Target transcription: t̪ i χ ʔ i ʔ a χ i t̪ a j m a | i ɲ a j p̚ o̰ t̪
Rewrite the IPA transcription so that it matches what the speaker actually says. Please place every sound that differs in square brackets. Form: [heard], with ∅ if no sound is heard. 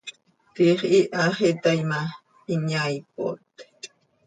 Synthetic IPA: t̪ i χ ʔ i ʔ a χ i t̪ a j m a | i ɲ a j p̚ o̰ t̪